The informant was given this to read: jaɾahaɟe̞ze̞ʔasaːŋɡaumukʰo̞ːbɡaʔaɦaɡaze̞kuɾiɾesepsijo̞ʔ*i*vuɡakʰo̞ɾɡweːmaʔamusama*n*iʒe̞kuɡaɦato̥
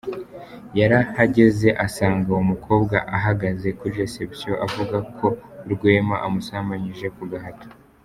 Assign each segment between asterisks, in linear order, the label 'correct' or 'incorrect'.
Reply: incorrect: a, incorrect: ɲ

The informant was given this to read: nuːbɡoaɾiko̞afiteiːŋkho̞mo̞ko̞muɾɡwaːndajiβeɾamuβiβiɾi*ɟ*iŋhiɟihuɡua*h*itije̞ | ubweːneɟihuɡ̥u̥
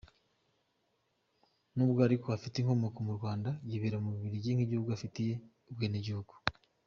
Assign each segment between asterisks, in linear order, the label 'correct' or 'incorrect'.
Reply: correct, incorrect: f

